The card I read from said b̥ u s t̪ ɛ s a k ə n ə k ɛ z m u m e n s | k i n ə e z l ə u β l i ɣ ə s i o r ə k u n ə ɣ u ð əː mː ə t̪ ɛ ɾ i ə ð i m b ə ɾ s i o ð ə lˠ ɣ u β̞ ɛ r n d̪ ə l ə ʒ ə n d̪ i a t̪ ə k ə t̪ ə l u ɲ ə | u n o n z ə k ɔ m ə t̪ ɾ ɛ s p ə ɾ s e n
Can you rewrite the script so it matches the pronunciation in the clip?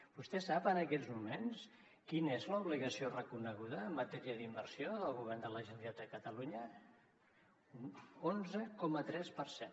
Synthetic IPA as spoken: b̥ u s t̪ ɛ s a p ə n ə k ɛ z m u m e n s | k i n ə e z l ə u β l i ɣ ə s i o r ə k u n ə ɣ u ð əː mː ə t̪ ɛ ɾ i ə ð i m b ə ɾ s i o ð ə lˠ ɣ u β̞ ɛ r n d̪ ə l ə ʒ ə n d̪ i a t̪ ə k ə t̪ ə l u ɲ ə | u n o n z ə k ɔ m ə t̪ ɾ ɛ s p ə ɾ s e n